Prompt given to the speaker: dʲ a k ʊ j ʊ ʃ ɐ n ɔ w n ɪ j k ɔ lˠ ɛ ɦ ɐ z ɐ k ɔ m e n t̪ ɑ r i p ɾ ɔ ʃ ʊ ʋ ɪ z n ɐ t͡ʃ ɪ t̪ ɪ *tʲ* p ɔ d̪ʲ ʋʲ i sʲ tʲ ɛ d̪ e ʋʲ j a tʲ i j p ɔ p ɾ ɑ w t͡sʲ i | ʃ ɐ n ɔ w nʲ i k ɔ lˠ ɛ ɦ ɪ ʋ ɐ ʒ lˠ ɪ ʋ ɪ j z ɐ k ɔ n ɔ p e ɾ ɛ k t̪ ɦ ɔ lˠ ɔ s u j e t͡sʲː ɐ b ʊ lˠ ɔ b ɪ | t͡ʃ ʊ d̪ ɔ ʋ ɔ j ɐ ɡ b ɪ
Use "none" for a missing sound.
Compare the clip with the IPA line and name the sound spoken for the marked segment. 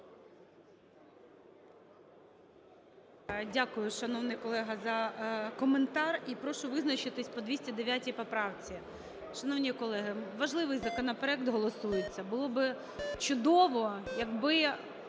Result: sʲ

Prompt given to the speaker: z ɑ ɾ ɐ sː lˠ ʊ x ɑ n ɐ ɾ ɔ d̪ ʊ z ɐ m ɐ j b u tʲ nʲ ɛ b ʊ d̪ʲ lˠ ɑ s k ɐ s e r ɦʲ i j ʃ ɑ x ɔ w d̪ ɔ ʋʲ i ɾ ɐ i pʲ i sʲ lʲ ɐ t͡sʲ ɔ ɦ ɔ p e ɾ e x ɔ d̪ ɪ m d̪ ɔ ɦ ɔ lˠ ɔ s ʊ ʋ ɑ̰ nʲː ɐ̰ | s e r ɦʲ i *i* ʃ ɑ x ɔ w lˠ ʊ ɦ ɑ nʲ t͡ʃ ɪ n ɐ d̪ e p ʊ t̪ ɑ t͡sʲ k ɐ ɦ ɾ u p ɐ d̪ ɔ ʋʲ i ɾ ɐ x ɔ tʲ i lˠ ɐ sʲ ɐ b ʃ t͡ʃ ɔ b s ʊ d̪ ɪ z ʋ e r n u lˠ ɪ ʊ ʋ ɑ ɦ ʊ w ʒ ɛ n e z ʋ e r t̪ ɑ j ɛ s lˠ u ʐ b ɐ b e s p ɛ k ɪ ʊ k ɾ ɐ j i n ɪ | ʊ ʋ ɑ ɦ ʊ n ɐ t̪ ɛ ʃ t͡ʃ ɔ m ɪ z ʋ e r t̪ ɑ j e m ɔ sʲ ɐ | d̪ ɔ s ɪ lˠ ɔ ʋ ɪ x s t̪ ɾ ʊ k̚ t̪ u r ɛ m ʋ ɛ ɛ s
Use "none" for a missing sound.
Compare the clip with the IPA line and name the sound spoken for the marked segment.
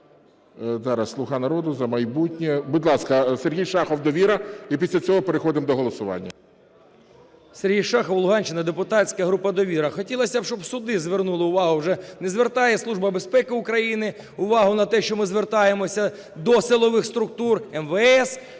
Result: j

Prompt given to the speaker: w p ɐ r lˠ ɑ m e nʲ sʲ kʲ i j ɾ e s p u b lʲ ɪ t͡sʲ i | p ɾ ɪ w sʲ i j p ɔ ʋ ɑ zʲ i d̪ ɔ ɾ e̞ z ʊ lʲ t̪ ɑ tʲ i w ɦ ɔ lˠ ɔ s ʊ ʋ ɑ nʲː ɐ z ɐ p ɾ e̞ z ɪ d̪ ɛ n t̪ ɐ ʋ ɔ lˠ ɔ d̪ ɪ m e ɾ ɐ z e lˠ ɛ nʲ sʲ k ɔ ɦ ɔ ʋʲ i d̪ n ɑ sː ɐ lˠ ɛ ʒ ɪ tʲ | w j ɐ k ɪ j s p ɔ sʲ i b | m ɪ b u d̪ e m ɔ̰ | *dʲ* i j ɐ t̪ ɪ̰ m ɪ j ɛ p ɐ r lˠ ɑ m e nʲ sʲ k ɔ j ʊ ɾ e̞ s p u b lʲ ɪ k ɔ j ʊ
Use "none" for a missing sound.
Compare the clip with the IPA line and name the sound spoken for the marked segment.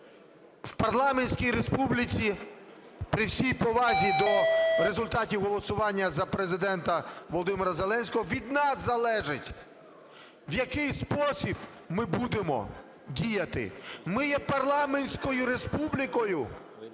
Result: dʲ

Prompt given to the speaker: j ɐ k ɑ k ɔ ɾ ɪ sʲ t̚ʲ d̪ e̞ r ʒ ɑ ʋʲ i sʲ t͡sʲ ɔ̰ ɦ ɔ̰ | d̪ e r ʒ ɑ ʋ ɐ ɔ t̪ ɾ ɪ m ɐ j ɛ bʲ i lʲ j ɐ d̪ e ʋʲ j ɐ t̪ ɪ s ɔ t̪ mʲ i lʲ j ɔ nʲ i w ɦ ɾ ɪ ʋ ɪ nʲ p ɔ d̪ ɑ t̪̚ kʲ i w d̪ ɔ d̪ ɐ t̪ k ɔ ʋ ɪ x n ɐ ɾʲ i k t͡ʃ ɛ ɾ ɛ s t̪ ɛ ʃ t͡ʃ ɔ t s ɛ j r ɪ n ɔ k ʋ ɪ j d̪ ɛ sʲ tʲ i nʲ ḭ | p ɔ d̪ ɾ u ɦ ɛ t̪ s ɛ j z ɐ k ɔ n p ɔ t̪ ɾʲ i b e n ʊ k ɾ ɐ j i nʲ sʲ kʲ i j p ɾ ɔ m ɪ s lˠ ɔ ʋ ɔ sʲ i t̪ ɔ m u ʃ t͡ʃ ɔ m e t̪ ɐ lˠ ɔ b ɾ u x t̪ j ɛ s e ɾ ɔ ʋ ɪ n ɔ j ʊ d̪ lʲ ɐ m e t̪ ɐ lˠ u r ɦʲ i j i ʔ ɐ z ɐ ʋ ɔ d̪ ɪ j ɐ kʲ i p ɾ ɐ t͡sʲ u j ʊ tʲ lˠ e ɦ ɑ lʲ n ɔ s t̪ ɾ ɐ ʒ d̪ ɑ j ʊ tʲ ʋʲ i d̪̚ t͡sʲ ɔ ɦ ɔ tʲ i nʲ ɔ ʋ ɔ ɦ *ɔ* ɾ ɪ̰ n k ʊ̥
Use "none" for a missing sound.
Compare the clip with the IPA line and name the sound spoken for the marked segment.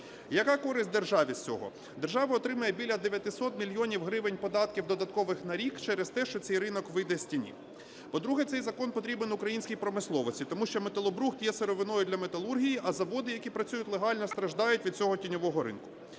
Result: ɔ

